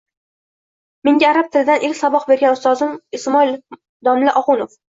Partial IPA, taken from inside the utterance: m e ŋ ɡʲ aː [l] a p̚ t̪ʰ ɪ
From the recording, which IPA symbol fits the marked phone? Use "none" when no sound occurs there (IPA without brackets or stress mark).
ɾ